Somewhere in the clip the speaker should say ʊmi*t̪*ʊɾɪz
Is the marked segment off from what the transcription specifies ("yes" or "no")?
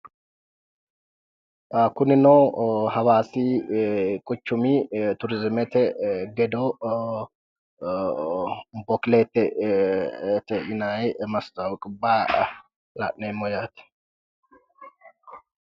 no